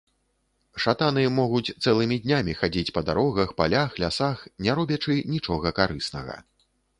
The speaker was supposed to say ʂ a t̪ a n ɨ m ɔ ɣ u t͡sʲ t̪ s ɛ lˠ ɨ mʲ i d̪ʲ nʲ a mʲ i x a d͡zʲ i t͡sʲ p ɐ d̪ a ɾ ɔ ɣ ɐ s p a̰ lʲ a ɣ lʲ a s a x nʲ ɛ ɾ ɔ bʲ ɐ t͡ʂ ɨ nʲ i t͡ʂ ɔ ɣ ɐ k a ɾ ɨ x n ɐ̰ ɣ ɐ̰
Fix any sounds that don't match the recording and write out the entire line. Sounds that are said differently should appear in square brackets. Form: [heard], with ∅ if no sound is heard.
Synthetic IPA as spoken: ʂ a t̪ a n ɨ m ɔ ɣ u t͡sʲ t̪ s ɛ lˠ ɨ mʲ i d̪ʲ nʲ a mʲ i x a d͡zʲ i t͡sʲ p ɐ d̪ a ɾ ɔ ɣ ɐ [x] p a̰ lʲ a [x] lʲ a s a x nʲ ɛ ɾ ɔ bʲ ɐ t͡ʂ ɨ nʲ i t͡ʂ ɔ ɣ ɐ k a ɾ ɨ [s] n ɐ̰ ɣ ɐ̰